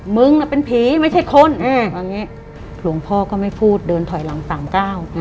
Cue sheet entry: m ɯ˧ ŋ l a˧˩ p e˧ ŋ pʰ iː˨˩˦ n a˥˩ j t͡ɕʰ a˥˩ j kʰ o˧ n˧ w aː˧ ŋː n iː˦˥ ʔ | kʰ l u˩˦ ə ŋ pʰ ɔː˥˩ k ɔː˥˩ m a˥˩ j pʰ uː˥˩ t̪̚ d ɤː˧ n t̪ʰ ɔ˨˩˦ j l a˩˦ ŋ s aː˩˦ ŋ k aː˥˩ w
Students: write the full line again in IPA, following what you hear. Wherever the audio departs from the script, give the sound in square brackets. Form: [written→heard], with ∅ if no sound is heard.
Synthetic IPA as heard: m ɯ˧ ŋ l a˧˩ p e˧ [ŋ→n] pʰ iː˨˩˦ [n→m] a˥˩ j t͡ɕʰ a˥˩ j kʰ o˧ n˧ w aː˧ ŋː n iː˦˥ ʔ | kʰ l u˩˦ ə ŋ pʰ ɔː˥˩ k ɔː˥˩ m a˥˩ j pʰ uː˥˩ t̪̚ d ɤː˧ n t̪ʰ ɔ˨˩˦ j l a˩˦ ŋ s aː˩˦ [ŋ→m] k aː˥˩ w